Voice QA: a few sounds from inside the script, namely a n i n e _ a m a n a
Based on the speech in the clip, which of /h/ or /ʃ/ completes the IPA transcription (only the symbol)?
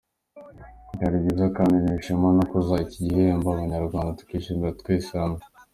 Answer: ʃ